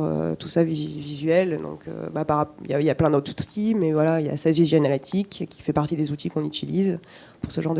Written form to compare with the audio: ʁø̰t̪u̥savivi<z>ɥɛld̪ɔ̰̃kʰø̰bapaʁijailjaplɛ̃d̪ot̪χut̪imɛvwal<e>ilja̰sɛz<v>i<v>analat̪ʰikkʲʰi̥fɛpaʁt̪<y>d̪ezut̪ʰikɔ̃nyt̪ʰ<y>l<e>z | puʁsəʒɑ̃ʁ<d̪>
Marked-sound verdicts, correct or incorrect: correct, incorrect, correct, incorrect, incorrect, incorrect, incorrect, correct

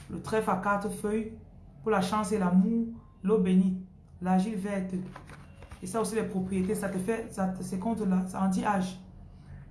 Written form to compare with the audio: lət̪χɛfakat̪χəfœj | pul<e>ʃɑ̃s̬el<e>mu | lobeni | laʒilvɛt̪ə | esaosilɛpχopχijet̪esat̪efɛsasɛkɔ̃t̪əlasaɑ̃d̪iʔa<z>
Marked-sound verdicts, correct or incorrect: incorrect, incorrect, incorrect

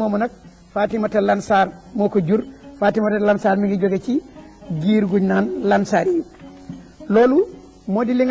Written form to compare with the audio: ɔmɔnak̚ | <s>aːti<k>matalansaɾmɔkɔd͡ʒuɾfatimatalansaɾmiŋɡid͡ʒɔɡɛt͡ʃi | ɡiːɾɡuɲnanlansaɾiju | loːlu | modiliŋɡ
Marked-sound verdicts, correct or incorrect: incorrect, incorrect

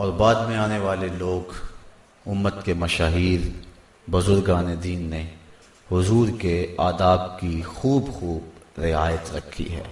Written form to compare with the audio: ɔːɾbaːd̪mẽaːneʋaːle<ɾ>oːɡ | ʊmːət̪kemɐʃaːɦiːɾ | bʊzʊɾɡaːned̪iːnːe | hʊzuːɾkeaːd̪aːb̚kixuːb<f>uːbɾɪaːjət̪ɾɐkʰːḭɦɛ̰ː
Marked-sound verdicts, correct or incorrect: incorrect, incorrect

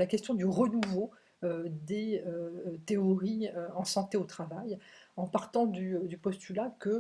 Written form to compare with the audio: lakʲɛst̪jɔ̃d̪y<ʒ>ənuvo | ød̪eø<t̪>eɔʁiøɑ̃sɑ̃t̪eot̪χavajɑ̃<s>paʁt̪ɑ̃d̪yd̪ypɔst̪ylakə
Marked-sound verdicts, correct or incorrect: incorrect, correct, incorrect

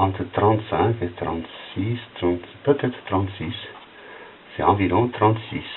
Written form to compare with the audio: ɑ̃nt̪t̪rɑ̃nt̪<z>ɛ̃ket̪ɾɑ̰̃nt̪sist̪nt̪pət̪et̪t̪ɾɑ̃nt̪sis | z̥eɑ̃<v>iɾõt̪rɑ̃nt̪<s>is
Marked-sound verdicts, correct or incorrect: incorrect, correct, correct

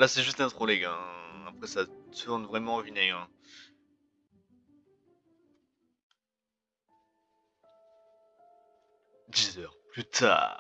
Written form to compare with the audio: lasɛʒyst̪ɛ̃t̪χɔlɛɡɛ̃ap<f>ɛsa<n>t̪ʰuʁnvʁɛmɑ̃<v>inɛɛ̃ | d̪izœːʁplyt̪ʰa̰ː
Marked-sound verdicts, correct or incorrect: incorrect, incorrect, correct

